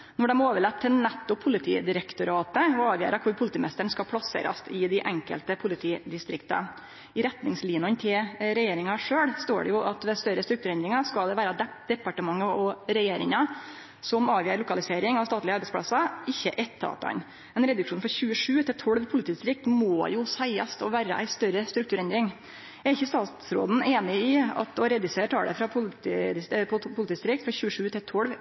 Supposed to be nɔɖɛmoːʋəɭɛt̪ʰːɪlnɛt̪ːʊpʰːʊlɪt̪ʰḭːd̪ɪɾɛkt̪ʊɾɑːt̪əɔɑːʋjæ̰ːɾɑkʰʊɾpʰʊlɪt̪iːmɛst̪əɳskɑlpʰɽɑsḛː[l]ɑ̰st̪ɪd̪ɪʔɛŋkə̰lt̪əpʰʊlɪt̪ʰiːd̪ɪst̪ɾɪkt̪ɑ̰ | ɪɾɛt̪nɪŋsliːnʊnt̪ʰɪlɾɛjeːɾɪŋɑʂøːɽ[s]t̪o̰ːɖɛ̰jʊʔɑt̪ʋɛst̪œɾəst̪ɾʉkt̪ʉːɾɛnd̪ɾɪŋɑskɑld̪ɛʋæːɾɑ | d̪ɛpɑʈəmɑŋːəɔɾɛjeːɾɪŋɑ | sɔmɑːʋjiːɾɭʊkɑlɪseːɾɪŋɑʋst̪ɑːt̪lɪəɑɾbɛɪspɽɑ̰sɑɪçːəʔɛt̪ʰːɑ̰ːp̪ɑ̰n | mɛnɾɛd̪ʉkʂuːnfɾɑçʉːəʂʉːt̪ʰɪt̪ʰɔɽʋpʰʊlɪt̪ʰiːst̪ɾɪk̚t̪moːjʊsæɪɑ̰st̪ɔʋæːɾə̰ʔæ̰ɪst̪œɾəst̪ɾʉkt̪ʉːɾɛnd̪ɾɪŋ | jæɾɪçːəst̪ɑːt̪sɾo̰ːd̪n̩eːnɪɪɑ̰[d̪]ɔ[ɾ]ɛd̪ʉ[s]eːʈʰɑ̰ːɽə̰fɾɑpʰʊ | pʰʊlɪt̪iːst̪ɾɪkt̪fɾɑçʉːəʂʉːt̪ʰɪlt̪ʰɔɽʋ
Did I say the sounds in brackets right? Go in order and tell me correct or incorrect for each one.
incorrect: ɾ, correct, incorrect: t̪, correct, correct

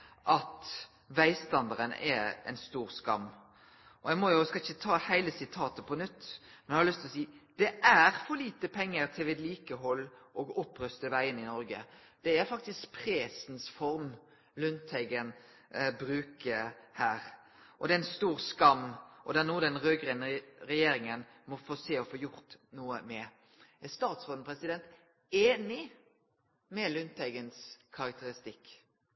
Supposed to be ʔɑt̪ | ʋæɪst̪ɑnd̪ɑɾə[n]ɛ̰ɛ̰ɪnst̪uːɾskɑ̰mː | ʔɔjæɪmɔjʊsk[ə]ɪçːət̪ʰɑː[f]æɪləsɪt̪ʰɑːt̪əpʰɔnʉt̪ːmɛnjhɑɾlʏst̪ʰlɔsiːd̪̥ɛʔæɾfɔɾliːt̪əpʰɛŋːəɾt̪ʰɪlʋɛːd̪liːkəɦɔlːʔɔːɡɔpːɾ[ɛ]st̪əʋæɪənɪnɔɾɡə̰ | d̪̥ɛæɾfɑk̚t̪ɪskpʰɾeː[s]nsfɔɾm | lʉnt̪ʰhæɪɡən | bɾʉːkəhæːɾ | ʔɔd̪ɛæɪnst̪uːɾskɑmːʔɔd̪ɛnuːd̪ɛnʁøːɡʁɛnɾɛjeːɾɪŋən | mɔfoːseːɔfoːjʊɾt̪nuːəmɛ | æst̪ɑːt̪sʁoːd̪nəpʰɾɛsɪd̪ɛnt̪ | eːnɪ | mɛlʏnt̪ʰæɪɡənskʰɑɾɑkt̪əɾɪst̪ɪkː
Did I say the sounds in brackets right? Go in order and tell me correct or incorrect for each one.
correct, incorrect: ɑ, incorrect: h, incorrect: œ, correct

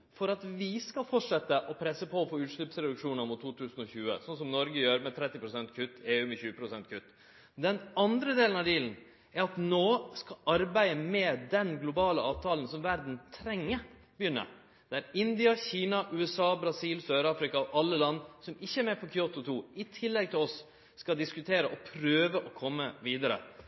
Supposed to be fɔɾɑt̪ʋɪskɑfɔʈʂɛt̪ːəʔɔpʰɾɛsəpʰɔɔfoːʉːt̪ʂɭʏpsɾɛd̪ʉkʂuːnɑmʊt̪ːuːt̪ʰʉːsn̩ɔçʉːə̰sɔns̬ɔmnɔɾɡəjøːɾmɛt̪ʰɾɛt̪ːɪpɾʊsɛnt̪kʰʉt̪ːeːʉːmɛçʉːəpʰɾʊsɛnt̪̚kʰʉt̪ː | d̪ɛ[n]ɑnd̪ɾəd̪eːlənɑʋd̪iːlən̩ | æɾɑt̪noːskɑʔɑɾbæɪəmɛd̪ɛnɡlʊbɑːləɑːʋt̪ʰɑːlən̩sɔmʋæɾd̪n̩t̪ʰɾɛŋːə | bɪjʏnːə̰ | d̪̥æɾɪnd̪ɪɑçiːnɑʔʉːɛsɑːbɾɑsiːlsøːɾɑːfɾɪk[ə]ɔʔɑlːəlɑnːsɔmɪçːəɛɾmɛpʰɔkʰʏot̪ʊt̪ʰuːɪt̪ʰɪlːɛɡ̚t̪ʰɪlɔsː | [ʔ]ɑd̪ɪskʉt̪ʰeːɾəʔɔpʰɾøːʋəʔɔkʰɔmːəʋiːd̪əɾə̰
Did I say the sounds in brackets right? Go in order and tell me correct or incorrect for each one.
correct, incorrect: ɑ, incorrect: k

